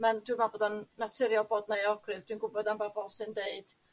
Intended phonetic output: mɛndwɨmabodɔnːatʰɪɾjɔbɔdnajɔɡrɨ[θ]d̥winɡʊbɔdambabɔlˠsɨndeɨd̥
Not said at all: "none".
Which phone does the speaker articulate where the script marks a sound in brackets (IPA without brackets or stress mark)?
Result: ð